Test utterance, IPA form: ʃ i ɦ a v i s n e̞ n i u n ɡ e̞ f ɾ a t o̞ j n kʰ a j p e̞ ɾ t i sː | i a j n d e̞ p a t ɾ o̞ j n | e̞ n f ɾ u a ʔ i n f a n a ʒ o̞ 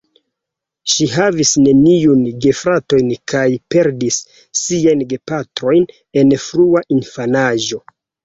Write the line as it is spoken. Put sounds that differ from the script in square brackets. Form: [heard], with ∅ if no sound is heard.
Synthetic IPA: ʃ i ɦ a v i s n e̞ n i u n ɡ e̞ f ɾ a t o̞ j n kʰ a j p e̞ ɾ [d] i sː | i a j n [ɡ] e̞ p a t ɾ o̞ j n | e̞ n f ɾ u a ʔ i n f a n a ʒ o̞